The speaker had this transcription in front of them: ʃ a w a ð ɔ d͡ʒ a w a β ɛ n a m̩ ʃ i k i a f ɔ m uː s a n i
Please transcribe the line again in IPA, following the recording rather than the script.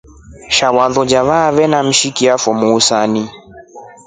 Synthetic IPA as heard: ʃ a w a ð ɔ d͡ʒ a β a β ɛ n a m̩ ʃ i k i a f ɔ m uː s a n i